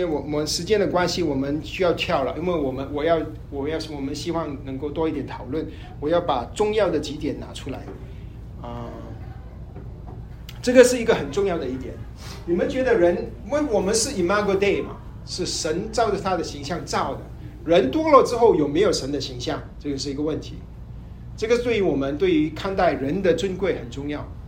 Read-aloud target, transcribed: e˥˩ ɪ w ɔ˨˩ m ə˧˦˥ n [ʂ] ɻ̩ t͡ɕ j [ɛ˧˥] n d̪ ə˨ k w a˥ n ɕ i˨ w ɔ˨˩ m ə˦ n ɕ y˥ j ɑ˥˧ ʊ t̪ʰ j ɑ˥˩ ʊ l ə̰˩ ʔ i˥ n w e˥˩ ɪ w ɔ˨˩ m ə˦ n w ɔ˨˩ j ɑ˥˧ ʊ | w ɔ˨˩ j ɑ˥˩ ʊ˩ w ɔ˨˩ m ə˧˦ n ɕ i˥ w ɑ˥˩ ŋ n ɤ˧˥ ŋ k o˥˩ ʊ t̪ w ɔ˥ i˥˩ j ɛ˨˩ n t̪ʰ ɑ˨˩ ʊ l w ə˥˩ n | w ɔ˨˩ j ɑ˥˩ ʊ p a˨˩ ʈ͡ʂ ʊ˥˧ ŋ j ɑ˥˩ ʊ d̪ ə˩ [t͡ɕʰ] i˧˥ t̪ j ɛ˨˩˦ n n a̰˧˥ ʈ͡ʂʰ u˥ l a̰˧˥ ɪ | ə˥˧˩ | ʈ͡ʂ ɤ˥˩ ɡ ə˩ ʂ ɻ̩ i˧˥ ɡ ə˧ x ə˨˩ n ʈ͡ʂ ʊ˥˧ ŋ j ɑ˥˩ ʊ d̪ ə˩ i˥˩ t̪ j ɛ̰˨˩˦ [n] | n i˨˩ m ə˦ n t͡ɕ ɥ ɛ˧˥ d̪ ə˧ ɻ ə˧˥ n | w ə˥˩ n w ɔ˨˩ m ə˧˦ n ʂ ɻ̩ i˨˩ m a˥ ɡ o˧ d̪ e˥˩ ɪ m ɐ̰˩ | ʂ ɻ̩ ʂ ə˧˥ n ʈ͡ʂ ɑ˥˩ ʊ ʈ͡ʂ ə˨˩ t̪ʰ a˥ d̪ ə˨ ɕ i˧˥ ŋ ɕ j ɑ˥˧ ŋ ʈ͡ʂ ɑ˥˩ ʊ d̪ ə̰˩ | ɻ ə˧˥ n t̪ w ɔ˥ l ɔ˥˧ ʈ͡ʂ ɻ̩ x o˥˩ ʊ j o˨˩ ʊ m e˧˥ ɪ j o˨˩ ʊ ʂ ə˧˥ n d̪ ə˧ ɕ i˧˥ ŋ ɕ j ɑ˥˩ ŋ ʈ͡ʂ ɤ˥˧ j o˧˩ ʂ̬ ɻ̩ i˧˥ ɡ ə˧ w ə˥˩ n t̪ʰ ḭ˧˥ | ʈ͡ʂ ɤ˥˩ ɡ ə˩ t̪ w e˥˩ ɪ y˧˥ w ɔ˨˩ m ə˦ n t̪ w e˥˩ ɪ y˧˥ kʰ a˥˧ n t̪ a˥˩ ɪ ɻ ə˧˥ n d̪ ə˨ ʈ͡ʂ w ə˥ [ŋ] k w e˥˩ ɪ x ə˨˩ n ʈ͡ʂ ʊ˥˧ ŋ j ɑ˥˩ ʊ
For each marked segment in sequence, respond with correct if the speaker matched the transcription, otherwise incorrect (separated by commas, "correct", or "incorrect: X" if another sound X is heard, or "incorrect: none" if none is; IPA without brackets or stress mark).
correct, incorrect: ɛ˥, incorrect: t͡ɕ, correct, incorrect: n